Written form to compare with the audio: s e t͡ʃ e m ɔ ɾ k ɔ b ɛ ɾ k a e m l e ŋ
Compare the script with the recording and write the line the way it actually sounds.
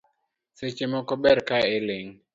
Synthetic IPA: s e t͡ʃ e m ɔ k ɔ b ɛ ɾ k a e l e ŋ